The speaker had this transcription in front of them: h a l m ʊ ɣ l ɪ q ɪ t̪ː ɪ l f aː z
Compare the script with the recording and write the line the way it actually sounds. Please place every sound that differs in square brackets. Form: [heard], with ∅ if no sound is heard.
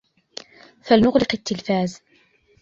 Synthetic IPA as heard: [f] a l [n] ʊ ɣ l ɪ q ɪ t̪ː ɪ l f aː z